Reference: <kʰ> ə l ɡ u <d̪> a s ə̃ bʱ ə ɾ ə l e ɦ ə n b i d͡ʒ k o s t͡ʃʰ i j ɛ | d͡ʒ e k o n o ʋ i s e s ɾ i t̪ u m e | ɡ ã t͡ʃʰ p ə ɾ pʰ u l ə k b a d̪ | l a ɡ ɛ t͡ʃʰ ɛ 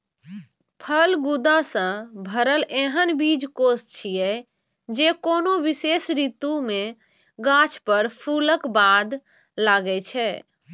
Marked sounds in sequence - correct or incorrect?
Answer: incorrect, correct

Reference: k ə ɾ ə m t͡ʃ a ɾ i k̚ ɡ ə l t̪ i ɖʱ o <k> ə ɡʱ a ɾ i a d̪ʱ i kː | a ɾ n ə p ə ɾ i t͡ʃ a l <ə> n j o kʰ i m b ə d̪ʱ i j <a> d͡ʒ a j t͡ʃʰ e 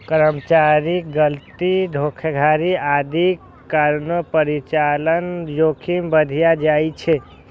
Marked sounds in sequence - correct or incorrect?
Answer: incorrect, correct, correct

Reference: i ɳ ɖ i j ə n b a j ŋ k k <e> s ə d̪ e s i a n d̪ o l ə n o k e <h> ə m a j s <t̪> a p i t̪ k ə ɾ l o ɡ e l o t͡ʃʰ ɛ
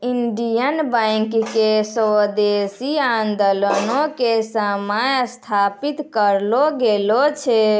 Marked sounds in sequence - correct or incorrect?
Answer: correct, incorrect, incorrect

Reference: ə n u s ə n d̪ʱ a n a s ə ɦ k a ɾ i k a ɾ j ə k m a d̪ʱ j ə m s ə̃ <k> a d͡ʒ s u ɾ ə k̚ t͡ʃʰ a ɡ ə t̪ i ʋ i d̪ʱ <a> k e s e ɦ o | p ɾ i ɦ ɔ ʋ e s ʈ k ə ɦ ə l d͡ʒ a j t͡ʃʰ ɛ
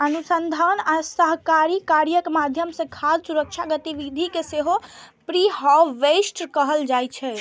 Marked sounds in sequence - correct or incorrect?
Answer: incorrect, incorrect

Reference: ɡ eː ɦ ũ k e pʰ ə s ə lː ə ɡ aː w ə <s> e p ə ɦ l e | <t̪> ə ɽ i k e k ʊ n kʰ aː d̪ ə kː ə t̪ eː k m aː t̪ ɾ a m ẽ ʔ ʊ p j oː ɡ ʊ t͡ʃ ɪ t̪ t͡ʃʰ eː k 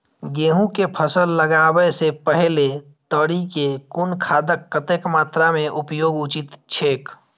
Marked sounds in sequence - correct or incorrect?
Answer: correct, correct

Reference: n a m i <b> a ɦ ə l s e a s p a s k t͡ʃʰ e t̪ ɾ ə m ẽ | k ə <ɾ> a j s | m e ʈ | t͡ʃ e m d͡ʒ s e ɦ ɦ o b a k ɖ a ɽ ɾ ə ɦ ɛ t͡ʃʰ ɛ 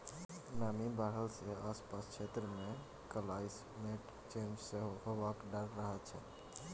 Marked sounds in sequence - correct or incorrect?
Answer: correct, incorrect

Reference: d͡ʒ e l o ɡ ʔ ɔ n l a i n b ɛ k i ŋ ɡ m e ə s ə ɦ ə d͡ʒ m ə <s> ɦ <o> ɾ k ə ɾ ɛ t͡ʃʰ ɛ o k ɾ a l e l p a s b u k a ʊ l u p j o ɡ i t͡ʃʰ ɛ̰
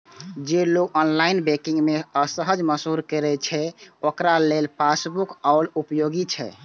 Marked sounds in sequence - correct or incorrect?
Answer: correct, incorrect

